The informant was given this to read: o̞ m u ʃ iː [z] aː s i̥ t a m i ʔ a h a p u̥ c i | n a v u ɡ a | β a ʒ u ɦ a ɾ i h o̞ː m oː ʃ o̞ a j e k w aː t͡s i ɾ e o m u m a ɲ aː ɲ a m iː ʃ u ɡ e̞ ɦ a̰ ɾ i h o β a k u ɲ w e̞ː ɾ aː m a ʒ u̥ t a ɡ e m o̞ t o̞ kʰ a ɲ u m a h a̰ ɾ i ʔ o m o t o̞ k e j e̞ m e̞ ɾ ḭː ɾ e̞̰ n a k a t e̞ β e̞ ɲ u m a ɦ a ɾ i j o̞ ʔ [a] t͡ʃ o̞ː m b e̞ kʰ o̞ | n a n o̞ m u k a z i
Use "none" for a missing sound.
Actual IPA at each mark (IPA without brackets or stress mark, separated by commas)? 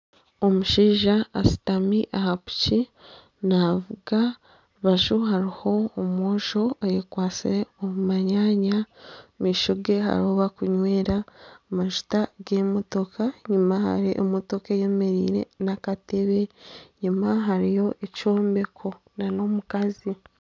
ʒ, e